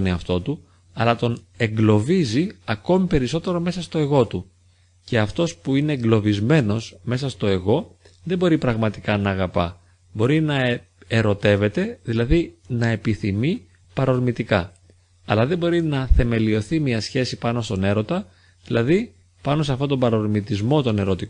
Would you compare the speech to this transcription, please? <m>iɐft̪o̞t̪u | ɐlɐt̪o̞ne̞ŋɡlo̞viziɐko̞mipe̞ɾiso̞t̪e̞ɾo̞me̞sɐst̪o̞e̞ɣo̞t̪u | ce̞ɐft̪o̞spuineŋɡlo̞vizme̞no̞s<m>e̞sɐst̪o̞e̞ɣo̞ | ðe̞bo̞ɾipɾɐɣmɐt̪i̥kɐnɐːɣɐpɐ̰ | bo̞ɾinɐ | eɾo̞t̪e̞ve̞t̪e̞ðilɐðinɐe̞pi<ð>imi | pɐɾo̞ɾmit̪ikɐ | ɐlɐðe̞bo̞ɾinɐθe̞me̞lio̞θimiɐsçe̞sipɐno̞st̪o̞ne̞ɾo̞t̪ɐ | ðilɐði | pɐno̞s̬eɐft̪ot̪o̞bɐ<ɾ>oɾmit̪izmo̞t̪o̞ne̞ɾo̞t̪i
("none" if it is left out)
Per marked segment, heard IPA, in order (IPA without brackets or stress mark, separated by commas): n, m, θ, ɾ